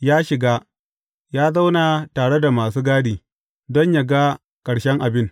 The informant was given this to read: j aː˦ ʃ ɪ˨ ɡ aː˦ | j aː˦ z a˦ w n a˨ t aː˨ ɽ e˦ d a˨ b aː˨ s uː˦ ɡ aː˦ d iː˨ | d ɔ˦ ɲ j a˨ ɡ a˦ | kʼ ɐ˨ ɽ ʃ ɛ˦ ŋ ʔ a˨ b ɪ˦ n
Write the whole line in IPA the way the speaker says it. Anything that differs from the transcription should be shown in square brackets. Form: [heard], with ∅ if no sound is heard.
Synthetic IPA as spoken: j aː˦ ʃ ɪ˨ ɡ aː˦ | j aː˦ z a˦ w n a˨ t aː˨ ɽ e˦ d a˨ [m] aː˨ s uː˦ ɡ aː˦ d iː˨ | d ɔ˦ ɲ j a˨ ɡ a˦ | kʼ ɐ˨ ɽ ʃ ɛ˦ ŋ ʔ a˨ b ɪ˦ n